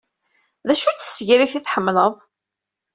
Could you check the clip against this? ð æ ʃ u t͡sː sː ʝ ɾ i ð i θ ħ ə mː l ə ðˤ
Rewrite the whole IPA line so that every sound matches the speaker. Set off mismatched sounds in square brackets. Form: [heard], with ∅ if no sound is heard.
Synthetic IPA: ð æ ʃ u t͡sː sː ʝ ɾ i [θ] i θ ħ ə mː l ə ðˤ